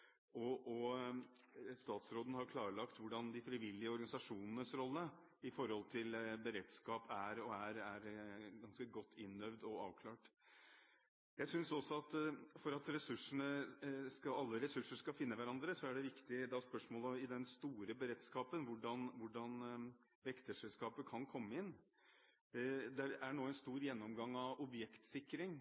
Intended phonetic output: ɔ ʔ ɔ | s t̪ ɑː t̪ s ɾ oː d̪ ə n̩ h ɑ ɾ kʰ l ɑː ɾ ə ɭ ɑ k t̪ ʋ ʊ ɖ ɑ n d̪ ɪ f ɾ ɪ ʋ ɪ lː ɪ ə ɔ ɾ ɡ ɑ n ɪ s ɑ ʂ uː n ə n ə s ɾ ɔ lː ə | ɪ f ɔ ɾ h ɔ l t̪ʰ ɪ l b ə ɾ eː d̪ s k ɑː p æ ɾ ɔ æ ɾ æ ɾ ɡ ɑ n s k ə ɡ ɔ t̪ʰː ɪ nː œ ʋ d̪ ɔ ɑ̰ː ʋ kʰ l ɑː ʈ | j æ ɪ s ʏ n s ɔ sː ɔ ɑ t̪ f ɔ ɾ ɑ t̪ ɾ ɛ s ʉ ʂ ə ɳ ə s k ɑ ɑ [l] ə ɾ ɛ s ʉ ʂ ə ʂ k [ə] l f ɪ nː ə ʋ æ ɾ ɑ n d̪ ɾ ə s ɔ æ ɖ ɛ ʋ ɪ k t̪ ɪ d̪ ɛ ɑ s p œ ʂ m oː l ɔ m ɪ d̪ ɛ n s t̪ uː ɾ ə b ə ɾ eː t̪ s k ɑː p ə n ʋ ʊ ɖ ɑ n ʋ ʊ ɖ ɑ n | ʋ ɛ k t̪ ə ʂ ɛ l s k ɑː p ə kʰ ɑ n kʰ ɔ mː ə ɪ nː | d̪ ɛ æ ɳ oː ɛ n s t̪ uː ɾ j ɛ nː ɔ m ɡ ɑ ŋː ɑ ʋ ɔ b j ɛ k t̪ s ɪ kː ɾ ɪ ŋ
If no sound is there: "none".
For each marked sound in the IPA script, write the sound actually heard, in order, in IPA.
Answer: lː, ɑ

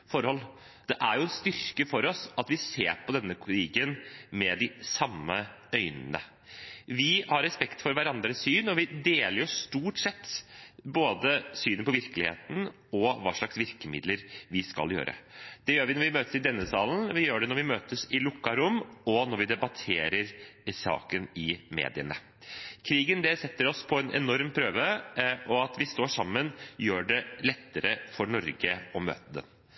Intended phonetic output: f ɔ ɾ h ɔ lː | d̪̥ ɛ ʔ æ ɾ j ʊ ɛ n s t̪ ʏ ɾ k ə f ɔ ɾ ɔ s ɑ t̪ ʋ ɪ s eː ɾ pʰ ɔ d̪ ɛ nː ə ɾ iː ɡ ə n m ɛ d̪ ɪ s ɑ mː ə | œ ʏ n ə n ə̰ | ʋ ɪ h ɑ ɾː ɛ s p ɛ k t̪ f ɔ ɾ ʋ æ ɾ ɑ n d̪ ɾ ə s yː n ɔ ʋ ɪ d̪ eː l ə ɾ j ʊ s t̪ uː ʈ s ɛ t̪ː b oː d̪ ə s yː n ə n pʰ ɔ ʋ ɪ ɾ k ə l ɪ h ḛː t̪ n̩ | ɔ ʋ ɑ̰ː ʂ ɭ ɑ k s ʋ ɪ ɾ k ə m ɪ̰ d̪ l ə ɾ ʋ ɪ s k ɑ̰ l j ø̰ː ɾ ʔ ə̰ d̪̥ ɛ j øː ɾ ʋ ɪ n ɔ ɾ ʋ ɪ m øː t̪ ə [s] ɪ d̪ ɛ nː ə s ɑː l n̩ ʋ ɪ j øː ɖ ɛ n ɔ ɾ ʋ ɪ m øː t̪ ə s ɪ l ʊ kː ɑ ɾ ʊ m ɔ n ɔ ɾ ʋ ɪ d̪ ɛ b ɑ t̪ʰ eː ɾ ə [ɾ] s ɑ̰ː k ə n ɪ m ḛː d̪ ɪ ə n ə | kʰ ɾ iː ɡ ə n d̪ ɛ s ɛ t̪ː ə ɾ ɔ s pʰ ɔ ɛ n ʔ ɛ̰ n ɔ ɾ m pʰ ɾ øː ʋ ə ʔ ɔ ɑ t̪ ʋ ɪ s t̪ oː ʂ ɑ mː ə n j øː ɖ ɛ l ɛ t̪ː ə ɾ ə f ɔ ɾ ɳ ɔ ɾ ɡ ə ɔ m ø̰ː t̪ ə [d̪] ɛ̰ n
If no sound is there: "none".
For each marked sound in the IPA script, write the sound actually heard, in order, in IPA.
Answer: s, ɾ, d̪

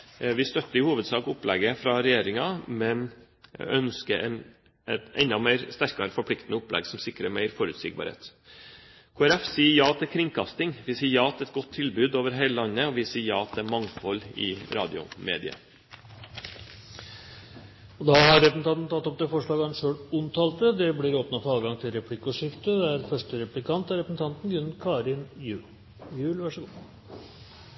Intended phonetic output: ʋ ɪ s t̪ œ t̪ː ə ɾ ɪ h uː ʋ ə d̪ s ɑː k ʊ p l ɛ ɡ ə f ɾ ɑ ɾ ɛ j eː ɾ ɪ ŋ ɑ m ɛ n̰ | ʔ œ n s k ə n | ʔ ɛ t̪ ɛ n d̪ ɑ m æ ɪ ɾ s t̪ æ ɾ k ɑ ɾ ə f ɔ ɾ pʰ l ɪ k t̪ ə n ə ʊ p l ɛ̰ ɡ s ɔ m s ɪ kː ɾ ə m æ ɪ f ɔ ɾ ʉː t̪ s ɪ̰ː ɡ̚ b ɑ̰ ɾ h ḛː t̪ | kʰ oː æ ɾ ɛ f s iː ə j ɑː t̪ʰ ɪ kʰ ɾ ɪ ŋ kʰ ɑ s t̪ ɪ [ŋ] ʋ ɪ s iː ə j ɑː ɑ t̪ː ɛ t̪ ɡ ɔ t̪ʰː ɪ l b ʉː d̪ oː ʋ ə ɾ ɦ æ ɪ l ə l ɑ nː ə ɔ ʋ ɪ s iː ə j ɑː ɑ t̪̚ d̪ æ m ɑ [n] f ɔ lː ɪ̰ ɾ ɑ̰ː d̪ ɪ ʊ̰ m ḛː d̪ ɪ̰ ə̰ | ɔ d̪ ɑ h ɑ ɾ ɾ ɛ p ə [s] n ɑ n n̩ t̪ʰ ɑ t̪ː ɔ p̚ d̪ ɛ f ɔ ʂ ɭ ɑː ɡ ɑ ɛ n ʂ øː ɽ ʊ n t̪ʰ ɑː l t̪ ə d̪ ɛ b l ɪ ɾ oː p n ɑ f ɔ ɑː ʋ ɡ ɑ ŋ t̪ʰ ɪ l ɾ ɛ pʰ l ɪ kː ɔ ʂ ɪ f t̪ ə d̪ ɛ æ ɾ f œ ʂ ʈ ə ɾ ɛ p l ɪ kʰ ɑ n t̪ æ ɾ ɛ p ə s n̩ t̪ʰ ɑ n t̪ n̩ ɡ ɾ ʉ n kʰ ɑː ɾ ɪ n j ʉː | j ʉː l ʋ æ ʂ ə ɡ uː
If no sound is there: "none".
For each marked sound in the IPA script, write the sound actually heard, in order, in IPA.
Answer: ŋ, ŋ, s

